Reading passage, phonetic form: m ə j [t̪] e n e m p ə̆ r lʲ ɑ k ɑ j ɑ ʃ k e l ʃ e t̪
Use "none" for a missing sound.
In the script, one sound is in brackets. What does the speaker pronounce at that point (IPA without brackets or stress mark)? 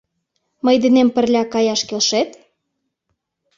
d̪